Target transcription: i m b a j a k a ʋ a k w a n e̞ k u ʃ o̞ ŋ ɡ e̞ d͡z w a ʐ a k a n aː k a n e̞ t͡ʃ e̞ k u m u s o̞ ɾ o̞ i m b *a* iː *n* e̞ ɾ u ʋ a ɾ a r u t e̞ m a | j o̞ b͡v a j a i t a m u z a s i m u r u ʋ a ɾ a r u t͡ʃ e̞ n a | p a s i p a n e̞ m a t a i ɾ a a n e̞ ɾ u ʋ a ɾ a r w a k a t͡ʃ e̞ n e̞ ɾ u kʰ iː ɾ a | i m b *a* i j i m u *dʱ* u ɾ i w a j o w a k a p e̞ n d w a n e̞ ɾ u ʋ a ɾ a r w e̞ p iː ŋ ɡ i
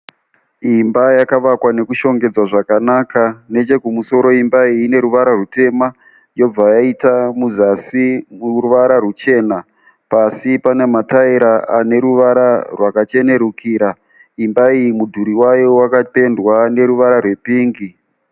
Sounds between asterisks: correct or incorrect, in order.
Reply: correct, correct, correct, correct

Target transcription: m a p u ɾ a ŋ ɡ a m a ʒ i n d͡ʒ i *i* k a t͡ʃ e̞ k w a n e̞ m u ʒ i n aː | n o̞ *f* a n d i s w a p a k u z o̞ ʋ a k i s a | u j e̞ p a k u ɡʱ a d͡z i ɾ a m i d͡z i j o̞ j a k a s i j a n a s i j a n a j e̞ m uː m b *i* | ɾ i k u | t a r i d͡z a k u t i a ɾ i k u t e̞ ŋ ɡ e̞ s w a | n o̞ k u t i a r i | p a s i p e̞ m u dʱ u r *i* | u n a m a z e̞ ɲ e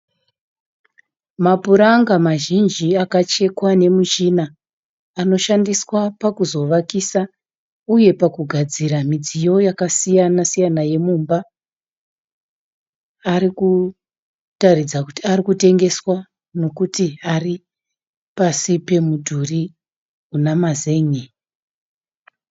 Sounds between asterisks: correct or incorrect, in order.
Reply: incorrect: a, incorrect: ʃ, incorrect: a, correct

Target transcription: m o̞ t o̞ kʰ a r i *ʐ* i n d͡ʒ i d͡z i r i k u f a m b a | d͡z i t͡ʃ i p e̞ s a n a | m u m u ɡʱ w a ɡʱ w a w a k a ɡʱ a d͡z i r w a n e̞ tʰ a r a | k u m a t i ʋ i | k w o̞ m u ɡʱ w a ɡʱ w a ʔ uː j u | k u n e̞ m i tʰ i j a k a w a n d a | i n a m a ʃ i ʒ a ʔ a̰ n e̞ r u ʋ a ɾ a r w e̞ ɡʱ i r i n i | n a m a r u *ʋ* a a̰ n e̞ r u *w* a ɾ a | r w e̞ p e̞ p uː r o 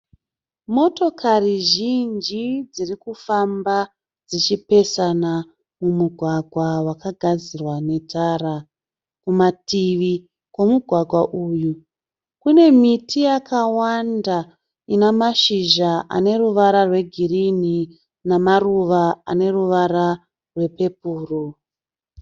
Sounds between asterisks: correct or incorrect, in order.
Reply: incorrect: ʒ, correct, incorrect: ʋ

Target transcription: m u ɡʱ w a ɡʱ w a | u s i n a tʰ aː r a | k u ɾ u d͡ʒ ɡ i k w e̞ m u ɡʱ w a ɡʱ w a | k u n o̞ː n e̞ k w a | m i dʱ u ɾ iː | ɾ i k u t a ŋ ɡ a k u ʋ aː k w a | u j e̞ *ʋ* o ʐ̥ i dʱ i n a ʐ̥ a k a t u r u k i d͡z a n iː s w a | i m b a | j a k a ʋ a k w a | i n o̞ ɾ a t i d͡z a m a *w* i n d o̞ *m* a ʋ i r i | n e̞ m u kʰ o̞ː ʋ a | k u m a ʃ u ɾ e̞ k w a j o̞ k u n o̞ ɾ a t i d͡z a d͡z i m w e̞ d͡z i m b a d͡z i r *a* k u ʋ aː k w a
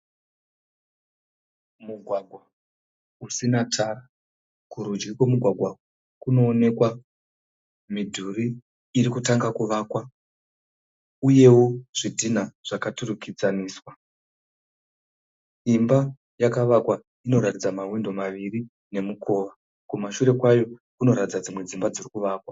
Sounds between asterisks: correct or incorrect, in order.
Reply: incorrect: w, correct, correct, incorrect: i

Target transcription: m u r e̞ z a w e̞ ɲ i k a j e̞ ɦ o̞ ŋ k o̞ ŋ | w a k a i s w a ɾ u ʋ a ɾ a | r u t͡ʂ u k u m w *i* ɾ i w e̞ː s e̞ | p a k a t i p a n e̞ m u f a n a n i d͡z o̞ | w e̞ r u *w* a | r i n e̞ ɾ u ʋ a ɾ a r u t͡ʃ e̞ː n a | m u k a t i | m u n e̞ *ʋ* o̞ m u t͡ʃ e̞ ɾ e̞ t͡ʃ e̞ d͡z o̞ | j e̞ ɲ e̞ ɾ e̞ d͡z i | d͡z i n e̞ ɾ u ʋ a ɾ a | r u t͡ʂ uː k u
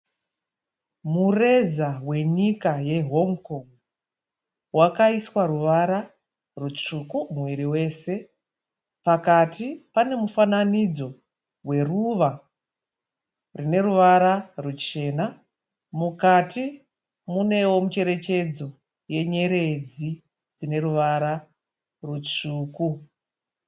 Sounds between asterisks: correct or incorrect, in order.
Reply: correct, incorrect: ʋ, incorrect: w

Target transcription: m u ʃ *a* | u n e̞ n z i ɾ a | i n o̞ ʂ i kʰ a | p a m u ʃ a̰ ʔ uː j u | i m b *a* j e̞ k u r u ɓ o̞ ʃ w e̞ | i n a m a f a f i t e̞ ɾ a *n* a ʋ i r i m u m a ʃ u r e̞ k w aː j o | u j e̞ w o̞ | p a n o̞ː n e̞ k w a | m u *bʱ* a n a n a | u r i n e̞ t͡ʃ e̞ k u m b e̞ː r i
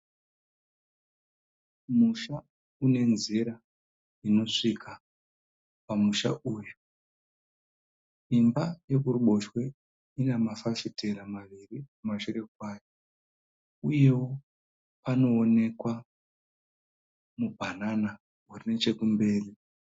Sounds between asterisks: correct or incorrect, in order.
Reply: correct, correct, incorrect: m, correct

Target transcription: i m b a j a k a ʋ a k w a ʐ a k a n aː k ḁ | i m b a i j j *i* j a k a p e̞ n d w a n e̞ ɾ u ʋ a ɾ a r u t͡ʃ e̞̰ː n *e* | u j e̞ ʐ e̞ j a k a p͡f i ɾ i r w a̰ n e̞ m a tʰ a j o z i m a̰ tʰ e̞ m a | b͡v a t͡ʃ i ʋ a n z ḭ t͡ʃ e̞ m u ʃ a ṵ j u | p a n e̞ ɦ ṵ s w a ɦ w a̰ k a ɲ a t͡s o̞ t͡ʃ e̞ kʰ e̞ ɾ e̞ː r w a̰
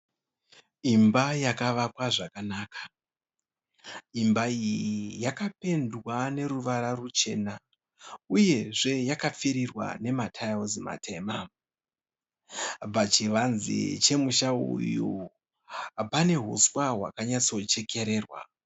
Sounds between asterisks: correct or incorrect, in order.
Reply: correct, incorrect: a

